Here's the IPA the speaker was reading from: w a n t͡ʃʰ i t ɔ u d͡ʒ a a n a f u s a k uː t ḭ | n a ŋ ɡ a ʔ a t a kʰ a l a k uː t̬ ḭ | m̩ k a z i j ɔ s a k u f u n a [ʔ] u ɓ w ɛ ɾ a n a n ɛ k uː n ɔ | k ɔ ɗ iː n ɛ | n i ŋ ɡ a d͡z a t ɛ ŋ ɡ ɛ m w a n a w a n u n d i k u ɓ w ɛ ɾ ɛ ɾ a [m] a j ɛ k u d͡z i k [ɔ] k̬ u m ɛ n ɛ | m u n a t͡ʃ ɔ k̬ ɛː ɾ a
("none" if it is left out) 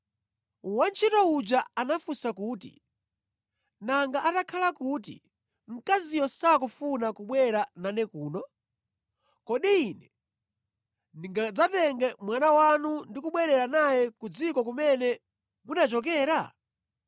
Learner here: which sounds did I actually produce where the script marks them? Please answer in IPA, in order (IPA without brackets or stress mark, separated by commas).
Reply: k, n, ɔ